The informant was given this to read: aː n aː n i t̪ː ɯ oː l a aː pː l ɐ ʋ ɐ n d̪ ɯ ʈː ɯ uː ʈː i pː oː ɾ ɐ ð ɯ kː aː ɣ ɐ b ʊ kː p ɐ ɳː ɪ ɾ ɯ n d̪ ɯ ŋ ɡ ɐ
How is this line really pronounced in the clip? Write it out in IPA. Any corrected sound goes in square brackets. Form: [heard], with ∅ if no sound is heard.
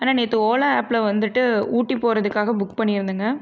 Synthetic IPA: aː n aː n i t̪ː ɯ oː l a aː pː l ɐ ʋ ɐ n d̪ ɯ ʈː ɯ uː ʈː i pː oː ɾ ɐ ð ɯ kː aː ɣ ɐ b ʊ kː p ɐ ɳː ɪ ɾ ɯ n d̪ ɯ ŋ ɡ ɐ

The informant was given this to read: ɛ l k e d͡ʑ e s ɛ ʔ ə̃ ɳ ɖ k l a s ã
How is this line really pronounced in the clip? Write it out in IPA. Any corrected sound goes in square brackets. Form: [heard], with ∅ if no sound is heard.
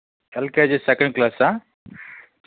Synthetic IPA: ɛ l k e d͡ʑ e s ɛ [k] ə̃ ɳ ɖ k l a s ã

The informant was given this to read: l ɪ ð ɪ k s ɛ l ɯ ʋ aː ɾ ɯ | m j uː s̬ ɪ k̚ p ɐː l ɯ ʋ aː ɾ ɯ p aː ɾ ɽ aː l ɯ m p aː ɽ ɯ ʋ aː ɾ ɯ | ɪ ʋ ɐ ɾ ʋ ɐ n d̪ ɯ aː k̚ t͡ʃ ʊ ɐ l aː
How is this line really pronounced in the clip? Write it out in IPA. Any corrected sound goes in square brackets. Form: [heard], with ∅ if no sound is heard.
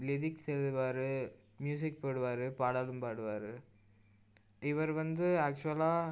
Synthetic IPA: l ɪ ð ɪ k s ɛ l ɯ ʋ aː ɾ ɯ | m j uː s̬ ɪ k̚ p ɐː [ɽ] ɯ ʋ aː ɾ ɯ p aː [∅] ɽ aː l ɯ m p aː ɽ ɯ ʋ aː ɾ ɯ | ɪ ʋ ɐ ɾ ʋ ɐ n d̪ ɯ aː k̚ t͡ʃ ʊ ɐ l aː

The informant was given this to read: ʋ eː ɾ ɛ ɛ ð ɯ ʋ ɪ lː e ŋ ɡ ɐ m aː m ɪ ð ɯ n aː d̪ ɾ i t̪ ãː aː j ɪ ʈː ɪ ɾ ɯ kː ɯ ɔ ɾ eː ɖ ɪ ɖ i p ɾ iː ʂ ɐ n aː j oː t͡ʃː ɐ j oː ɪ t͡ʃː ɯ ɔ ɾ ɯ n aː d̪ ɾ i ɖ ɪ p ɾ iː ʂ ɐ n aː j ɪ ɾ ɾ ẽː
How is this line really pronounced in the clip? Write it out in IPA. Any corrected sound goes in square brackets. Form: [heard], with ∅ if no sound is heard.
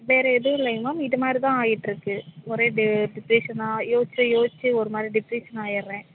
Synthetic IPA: ʋ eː ɾ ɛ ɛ ð ɯ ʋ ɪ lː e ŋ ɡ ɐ m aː m ɪ ð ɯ [m] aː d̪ ɾ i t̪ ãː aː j ɪ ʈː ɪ ɾ ɯ kː ɯ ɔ ɾ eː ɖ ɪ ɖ [ɪ] p ɾ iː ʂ ɐ n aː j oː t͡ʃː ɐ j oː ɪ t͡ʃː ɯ ɔ ɾ ɯ [m] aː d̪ ɾ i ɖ ɪ p ɾ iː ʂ ɐ n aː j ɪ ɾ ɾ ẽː

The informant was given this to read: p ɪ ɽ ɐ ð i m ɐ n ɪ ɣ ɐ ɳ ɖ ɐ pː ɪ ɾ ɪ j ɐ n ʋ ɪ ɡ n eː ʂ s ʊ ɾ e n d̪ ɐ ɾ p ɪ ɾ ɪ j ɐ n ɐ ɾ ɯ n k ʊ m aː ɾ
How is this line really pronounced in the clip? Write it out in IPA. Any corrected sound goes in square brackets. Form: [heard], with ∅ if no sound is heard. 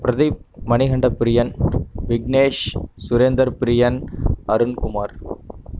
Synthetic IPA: p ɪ [ɾ] ɐ ð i m ɐ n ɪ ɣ ɐ ɳ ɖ ɐ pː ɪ ɾ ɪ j ɐ n ʋ ɪ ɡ n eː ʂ s ʊ ɾ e n d̪ ɐ ɾ p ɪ ɾ ɪ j ɐ n ɐ ɾ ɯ n k ʊ m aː ɾ

